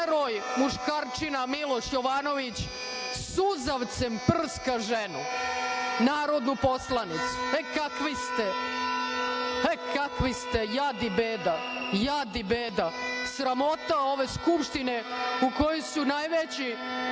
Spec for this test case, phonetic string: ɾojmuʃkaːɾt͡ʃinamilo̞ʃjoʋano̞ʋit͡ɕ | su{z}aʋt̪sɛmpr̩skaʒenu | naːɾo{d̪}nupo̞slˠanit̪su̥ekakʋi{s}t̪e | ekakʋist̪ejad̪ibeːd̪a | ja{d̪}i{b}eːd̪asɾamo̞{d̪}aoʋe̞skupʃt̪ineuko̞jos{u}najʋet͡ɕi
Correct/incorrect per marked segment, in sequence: correct, correct, correct, correct, correct, incorrect: t̪, correct

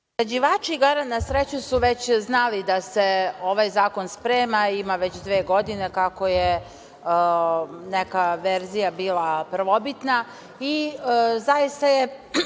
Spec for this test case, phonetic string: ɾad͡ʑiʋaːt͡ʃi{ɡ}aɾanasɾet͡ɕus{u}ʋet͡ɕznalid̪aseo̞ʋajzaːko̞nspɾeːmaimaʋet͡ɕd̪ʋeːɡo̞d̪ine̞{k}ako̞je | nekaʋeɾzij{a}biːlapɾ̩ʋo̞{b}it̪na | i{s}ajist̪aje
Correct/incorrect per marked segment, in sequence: correct, correct, correct, correct, correct, incorrect: z

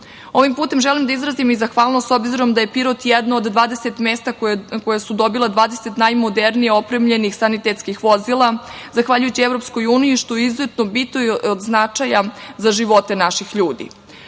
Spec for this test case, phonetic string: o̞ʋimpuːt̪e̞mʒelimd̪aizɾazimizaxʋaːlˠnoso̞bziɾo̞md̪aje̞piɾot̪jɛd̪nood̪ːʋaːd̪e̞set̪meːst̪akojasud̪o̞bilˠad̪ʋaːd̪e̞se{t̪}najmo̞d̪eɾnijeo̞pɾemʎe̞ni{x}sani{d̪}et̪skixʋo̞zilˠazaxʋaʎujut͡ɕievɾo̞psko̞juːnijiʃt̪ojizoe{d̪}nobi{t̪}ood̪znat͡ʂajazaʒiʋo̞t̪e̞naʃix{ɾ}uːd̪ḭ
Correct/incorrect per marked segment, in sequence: correct, correct, incorrect: t̪, incorrect: t̪, correct, incorrect: ʎ

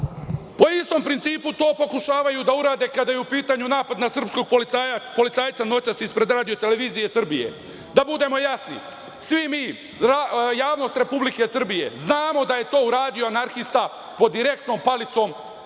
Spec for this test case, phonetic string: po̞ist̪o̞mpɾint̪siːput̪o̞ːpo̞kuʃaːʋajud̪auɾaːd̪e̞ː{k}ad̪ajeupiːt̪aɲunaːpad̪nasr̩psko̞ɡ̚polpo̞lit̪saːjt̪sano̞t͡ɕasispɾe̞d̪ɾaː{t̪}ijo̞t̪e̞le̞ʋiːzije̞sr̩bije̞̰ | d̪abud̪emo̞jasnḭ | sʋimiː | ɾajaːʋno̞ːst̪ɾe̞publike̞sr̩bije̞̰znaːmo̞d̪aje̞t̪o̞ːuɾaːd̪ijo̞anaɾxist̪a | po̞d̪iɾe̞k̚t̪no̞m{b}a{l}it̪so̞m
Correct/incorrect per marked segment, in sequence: correct, incorrect: d̪, incorrect: p, correct

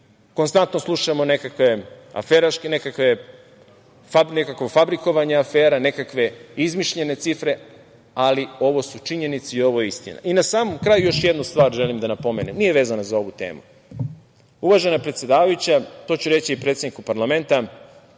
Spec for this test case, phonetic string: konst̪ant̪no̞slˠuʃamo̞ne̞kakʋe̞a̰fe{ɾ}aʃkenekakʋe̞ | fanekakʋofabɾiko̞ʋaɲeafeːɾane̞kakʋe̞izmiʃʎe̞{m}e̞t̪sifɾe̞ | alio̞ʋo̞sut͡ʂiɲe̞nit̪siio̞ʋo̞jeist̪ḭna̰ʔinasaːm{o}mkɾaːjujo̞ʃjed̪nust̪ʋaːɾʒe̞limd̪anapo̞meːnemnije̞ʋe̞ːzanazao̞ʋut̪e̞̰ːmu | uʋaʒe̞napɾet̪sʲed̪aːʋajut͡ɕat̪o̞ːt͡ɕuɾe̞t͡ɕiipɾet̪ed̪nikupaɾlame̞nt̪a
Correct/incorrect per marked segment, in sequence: correct, incorrect: n, correct

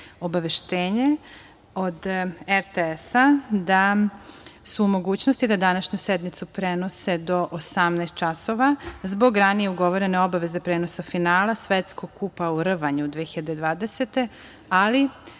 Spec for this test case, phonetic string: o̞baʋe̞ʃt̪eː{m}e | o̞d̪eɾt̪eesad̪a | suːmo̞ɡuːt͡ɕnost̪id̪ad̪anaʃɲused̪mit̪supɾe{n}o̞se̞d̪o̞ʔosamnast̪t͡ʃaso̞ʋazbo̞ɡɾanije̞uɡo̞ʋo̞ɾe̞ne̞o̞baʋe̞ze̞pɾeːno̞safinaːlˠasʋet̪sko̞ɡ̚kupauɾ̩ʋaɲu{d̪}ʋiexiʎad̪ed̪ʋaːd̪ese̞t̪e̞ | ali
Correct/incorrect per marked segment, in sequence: incorrect: ɲ, correct, correct

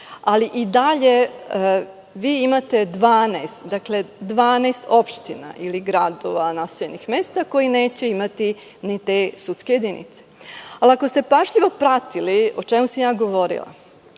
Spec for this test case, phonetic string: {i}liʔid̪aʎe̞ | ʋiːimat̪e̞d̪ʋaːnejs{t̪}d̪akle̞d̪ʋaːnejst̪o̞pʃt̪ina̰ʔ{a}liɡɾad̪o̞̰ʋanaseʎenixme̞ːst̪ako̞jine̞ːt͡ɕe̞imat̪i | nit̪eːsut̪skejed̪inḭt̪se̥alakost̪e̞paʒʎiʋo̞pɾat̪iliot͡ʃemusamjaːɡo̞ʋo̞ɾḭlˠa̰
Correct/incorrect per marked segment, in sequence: incorrect: a, correct, incorrect: i

